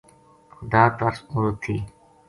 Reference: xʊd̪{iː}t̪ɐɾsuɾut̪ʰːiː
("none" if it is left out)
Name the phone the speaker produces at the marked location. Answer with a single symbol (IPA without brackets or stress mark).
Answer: aː